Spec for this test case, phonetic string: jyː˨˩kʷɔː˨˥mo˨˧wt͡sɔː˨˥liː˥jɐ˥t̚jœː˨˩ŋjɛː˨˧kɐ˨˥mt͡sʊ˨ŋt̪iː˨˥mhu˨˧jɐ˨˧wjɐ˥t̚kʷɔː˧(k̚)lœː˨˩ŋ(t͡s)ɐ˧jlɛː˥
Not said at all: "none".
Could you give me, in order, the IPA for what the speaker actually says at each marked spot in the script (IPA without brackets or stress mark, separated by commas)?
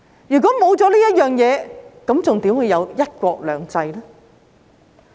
k̚, t͡s